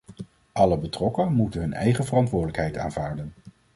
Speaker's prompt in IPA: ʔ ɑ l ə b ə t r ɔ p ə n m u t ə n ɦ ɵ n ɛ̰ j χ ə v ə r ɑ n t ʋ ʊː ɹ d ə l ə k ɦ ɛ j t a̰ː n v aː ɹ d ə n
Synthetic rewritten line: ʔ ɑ l ə b ə t r ɔ k ə n m u t ə n ɦ ɵ n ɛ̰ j χ ə v ə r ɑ n t ʋ ʊː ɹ d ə l ə k ɦ ɛ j t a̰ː n v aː ɹ d ə n